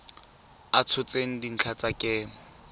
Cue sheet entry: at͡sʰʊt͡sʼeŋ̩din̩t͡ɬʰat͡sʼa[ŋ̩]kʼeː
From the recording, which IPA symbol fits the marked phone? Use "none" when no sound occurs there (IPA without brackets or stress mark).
none